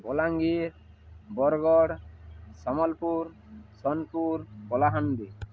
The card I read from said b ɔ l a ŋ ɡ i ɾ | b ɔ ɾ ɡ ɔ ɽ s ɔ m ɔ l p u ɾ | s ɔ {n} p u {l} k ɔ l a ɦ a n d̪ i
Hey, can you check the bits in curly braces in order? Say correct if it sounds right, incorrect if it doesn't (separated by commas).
correct, incorrect